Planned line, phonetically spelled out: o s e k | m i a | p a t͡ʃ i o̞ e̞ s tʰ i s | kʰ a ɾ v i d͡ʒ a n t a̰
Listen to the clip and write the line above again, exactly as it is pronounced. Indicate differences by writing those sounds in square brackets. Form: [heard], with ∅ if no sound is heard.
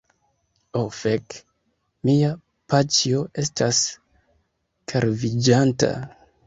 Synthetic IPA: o [f] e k | m i a | p a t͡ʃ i o̞ e̞ s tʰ [a] s | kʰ a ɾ v i d͡ʒ a n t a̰